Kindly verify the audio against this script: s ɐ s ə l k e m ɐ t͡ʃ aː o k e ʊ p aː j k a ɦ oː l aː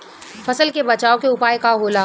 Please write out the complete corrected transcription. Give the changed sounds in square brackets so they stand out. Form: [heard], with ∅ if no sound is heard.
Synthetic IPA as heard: [f] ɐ s ə l k e [b] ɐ t͡ʃ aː o k e ʊ p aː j k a ɦ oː l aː